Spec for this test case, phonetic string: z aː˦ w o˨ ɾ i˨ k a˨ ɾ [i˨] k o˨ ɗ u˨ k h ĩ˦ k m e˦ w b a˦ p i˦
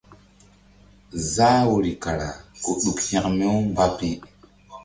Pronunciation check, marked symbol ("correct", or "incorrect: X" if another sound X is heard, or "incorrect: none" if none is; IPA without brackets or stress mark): incorrect: a˨